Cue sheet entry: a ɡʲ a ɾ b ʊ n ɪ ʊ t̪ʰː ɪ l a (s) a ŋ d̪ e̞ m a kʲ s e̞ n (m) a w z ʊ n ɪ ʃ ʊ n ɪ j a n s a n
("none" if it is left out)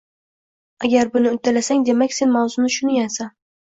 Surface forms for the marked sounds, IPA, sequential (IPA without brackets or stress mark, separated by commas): s, m